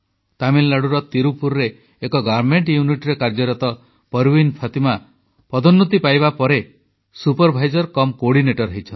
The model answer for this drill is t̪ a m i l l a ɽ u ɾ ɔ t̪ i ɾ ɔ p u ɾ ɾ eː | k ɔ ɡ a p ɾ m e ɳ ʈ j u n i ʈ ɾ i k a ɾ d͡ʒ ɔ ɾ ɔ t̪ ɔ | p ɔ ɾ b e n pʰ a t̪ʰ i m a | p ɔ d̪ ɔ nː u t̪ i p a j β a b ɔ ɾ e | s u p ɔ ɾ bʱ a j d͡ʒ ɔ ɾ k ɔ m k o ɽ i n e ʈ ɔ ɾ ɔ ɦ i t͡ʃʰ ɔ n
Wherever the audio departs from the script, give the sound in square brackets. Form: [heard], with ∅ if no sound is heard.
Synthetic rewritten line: t̪ a m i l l a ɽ u ɾ ɔ t̪ i ɾ [u] p u ɾ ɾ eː | k ɔ ɡ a [∅] ɾ m e ɳ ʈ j u n i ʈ ɾ [e] k a ɾ d͡ʒ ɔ ɾ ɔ t̪ ɔ | p ɔ ɾ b [i] n pʰ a [t̪] i m a | p ɔ d̪ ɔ nː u t̪ i p a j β a [p] ɔ ɾ e | s u p ɔ ɾ bʱ a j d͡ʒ ɔ ɾ k ɔ m k o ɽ i n e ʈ ɔ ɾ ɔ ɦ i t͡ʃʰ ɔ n